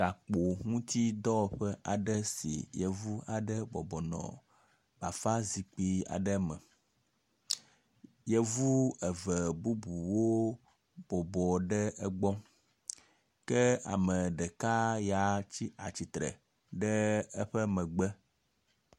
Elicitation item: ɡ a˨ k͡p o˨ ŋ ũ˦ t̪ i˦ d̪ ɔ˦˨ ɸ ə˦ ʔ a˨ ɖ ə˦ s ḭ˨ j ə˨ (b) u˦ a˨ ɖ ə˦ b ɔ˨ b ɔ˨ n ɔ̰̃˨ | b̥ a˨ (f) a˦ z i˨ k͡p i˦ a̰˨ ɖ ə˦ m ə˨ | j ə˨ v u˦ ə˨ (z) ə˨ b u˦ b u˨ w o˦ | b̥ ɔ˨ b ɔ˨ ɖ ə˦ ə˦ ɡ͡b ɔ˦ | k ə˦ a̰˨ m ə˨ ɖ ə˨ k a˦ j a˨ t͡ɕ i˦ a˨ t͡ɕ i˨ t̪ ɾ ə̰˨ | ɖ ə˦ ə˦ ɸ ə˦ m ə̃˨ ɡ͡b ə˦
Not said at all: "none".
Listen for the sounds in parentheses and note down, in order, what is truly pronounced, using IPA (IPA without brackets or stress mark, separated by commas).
v, f, v